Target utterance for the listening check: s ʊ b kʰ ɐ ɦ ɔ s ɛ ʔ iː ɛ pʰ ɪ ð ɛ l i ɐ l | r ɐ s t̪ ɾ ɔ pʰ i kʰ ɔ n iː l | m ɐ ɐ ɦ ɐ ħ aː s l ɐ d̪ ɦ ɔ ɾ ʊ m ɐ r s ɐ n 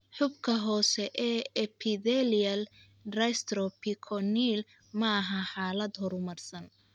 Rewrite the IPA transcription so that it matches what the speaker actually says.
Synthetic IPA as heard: ħ ʊ b kʰ ɐ ɦ ɔː s ɛ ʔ ɛː ɛ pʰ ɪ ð ɛ l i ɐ l | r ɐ s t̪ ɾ ɔ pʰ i kʰ ɔ n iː l | m ɐ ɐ ɦ ɐ ħ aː l ɐ d̪ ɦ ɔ ɾ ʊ m ɐ r s ɐ n